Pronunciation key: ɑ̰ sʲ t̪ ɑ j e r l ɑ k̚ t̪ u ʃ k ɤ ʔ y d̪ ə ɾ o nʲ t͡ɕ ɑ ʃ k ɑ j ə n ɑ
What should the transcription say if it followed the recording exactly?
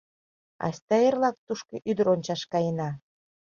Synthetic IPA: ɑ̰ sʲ t̪ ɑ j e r l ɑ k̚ t̪ u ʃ k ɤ ʔ y d̪ ə ɾ o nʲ t͡ɕ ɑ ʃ k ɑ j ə n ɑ